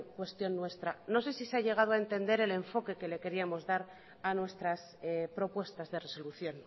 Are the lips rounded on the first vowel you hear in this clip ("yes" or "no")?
no